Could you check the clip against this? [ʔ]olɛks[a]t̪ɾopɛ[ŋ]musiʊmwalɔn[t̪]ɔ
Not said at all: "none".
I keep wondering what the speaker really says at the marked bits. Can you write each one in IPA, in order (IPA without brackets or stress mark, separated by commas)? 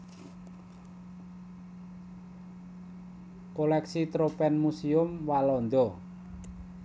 k, i, n, d̪